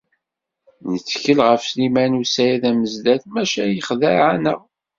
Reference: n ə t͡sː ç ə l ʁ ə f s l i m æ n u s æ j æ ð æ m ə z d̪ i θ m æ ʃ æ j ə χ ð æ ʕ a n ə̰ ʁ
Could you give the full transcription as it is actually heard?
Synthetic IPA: n ə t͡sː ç ə l ʁ ə f s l i m æ n u s æ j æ ð æ m ə z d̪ æ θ m æ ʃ æ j ə χ ð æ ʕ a n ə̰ ʁ